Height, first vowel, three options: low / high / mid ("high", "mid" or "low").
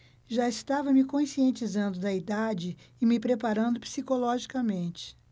low